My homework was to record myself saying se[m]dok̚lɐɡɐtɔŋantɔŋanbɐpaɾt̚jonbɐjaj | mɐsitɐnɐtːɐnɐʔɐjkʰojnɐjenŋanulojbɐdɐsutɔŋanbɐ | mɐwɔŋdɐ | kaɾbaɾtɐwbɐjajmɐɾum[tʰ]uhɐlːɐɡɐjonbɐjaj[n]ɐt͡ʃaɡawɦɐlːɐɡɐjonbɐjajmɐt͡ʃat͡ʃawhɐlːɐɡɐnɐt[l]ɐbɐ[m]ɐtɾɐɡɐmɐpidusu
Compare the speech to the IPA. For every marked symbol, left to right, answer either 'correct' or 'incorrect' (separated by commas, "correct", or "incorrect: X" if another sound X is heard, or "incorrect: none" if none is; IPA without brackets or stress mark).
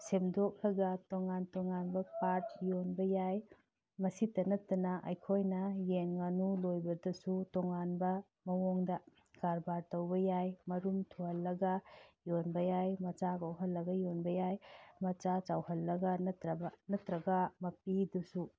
correct, correct, incorrect: m, incorrect: ɾ, incorrect: n